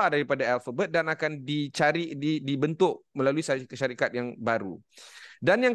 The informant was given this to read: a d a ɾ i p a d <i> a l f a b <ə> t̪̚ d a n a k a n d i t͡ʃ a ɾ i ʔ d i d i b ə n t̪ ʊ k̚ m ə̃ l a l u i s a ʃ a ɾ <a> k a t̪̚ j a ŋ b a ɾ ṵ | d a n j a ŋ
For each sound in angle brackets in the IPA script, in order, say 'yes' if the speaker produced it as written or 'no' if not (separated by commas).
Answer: no, yes, no